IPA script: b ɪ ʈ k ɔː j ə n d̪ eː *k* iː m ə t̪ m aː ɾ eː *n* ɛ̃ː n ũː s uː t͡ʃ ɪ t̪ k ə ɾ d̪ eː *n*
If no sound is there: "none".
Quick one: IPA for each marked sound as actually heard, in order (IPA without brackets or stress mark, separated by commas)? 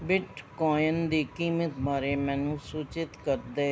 k, m, none